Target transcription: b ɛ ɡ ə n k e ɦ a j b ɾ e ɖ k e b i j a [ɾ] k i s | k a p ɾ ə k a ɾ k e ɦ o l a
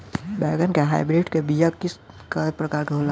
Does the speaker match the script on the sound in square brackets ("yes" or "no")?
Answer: no